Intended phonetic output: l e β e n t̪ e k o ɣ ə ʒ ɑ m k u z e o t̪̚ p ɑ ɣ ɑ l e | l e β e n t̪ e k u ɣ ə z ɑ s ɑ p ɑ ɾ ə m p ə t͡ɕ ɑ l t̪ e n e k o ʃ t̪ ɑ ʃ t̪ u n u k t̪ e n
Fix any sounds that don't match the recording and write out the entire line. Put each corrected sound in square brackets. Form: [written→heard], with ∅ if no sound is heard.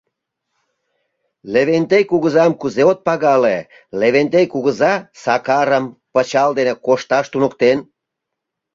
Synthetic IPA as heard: l e β e n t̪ e k [o→u] ɣ ə [ʒ→z] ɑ m k u z e o t̪̚ p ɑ ɣ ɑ l e | l e β e n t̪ e k u ɣ ə z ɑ s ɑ [p→k] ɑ ɾ ə m p ə t͡ɕ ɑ l [t̪→d̪] e n e k o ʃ t̪ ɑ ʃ t̪ u n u k t̪ e n